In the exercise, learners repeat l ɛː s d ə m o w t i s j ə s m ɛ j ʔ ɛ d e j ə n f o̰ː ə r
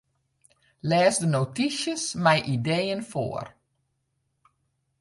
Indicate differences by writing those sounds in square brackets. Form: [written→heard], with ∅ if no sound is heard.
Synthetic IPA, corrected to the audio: l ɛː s d ə [m→n] o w t i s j ə s m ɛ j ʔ [ɛ→i] d e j ə n f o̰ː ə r